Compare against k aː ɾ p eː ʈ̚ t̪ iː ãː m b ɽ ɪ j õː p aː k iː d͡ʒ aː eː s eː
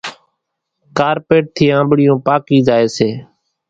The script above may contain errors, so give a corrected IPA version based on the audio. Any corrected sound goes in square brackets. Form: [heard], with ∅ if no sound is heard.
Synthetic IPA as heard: k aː ɾ p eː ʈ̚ [t̪ʰ] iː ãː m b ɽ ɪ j õː p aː k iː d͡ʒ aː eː s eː